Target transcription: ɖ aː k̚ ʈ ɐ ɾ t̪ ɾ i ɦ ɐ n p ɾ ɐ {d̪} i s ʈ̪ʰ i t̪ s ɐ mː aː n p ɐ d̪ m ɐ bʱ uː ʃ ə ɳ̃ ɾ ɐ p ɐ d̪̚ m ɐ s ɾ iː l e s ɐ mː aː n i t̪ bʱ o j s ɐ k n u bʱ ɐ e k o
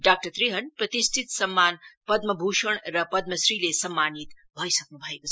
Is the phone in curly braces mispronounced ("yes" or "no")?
yes